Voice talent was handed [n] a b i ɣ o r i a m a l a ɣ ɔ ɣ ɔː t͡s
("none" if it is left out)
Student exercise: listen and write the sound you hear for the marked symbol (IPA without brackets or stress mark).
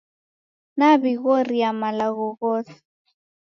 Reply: n